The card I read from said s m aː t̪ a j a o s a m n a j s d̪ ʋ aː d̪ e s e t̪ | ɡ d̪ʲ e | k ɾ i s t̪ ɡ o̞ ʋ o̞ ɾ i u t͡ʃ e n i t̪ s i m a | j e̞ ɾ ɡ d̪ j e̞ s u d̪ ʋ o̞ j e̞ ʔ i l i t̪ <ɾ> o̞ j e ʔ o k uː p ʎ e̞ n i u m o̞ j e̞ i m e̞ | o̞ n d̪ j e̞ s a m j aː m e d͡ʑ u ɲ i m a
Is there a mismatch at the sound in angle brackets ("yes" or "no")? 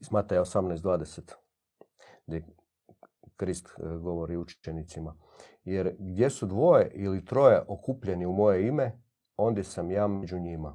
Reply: no